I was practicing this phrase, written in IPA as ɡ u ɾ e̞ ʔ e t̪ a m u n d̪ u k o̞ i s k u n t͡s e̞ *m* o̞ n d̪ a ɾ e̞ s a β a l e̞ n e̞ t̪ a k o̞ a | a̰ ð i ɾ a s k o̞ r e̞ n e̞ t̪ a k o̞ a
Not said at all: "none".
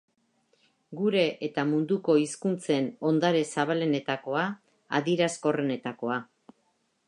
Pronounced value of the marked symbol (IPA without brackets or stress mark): n